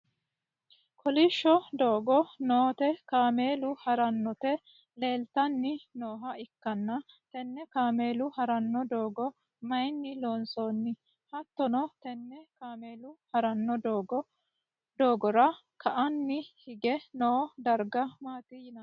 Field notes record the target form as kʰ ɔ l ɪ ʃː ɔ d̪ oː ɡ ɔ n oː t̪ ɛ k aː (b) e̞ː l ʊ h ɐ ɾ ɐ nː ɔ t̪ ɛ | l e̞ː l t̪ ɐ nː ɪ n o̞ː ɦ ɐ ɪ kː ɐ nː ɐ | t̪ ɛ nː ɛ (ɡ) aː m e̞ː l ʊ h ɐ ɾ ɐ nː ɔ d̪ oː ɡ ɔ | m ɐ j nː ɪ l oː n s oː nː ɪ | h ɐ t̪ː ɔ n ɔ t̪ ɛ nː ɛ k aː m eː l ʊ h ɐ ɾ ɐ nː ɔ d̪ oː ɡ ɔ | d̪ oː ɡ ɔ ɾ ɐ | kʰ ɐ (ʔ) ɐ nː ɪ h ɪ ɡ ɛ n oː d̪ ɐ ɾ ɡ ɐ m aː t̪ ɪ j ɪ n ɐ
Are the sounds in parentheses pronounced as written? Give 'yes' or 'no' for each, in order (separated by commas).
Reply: no, no, yes